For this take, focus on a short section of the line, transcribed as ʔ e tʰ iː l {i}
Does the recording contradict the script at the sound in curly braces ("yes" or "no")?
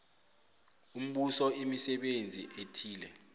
yes